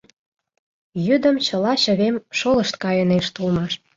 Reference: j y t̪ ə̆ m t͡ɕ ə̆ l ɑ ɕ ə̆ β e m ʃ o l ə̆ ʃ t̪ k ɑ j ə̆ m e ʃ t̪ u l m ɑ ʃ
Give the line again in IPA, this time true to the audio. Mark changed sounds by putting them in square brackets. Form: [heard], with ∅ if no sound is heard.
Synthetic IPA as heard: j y [d̪] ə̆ m t͡ɕ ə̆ l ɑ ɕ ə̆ β e m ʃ o l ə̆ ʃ t̪ k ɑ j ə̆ [n] e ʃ t̪ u l m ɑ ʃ